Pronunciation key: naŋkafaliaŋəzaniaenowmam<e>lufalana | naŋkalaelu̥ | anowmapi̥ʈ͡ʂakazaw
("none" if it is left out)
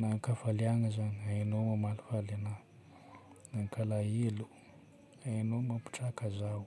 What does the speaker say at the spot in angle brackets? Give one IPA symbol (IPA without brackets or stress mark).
a